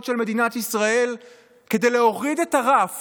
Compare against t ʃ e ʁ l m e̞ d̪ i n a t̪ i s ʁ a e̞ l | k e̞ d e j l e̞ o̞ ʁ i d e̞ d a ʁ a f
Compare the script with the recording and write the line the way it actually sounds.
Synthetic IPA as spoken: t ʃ e l m e̞ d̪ i n a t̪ i s ʁ a e̞ l | k e̞ d e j l e̞ o̞ ʁ i d e̞ t a ʁ a f